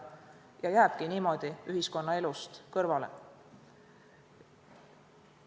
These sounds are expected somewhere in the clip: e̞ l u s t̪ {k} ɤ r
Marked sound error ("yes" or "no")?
no